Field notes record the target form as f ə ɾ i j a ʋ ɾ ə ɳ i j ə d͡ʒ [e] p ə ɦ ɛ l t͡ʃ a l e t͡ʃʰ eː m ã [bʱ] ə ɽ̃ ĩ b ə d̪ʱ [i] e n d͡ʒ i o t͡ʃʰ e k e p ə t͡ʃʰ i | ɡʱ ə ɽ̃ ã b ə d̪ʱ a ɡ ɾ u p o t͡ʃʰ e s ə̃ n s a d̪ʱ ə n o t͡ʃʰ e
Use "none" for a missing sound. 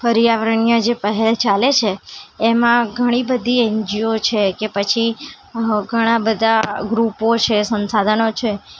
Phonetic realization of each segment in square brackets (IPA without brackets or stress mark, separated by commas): e, ɡʱ, i